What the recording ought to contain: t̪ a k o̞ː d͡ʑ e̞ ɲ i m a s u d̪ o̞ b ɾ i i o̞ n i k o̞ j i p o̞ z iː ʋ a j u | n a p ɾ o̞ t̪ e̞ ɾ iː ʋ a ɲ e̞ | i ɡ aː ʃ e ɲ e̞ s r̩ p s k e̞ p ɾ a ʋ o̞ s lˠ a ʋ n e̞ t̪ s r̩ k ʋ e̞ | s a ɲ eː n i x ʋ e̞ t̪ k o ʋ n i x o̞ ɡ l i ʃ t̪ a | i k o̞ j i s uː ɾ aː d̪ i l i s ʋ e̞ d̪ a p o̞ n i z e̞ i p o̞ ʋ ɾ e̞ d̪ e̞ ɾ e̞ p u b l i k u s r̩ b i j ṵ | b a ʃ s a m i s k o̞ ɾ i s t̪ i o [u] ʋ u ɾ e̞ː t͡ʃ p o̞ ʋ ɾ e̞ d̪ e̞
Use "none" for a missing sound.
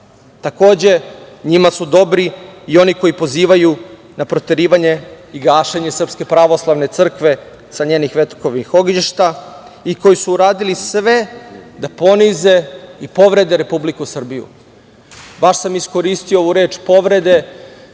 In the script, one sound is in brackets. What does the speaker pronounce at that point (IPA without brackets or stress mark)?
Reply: o